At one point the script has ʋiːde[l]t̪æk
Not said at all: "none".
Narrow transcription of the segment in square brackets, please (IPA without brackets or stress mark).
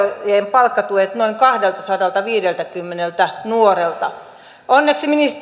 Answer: l